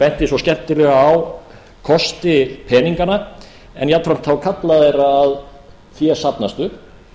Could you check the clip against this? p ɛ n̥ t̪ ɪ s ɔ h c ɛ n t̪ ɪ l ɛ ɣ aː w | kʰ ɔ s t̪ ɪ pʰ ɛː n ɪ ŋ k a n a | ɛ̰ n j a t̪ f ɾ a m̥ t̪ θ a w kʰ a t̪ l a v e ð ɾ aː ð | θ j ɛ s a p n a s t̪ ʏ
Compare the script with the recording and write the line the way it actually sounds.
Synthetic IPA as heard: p ɛ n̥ t̪ ɪ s ɔ s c ɛ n t̪ ɪ l ɛ ɣ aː w | kʰ ɔ s t̪ ɪ pʰ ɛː n i ŋ k a n a | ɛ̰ n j a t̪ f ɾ a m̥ t̪ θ a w kʰ a t̪ l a ð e ɾ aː ð | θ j ɛ s a p n a s t̪ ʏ